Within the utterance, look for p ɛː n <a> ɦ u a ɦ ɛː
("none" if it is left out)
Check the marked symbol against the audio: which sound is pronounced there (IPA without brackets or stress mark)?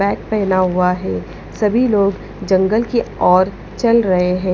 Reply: a